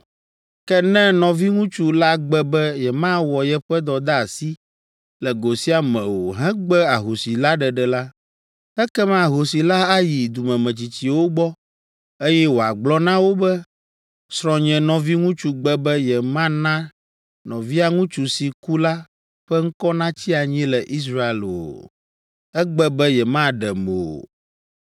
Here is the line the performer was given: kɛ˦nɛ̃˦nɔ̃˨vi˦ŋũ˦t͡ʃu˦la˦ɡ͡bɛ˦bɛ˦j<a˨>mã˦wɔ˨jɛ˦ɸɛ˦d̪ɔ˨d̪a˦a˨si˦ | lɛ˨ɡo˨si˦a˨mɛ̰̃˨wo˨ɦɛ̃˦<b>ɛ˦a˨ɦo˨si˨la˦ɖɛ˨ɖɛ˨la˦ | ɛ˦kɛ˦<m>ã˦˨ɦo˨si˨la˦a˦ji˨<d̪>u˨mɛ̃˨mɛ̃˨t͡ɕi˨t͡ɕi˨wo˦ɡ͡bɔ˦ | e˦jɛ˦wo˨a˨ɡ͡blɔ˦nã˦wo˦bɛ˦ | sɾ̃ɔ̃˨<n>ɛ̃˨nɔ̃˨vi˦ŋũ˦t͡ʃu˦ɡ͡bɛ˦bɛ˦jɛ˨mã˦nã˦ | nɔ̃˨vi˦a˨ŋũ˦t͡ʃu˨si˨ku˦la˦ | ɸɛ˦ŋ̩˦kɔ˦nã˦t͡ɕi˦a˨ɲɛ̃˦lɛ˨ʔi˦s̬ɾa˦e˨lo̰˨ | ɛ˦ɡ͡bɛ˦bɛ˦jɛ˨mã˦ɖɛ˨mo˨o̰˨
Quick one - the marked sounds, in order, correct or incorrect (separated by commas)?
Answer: incorrect, incorrect, correct, correct, incorrect